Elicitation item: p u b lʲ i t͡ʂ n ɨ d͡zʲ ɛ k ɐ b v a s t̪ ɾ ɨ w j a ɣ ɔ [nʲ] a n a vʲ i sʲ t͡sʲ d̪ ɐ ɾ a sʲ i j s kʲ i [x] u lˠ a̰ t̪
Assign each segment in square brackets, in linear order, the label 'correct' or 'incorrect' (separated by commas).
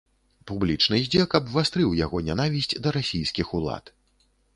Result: correct, correct